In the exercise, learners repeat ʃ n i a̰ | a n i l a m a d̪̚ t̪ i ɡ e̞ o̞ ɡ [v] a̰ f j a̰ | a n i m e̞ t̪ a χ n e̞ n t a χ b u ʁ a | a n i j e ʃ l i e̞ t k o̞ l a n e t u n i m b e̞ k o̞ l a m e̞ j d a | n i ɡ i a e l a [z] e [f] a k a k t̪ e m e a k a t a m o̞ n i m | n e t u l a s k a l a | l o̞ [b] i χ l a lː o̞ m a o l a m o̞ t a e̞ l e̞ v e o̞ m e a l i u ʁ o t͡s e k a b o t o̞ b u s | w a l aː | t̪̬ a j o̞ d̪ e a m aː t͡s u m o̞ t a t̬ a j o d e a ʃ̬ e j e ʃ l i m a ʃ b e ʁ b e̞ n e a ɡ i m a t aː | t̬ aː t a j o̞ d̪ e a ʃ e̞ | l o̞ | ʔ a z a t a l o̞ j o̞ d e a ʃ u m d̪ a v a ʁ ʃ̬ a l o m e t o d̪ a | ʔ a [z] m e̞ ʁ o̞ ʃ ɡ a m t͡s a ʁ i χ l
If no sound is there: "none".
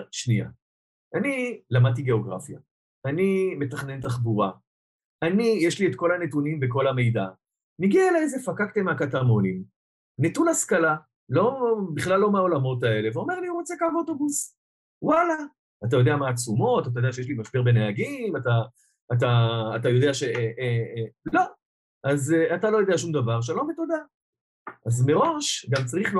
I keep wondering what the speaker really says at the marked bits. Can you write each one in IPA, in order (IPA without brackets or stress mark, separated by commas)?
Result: ʁ, z, f, b, z